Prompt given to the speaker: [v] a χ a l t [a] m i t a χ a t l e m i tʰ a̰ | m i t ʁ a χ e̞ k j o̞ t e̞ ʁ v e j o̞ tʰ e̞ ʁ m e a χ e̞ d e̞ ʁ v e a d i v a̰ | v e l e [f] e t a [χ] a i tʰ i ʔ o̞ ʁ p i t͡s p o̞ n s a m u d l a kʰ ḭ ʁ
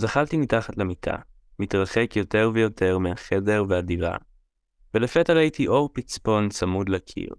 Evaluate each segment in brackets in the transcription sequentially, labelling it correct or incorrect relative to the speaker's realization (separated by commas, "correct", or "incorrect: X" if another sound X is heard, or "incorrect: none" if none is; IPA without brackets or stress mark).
incorrect: z, incorrect: i, correct, incorrect: ʁ